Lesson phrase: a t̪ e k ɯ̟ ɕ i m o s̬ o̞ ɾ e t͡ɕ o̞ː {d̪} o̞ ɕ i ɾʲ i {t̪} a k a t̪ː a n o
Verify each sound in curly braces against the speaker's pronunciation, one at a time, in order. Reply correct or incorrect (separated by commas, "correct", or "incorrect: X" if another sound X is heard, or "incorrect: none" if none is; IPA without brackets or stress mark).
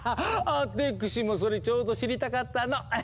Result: correct, correct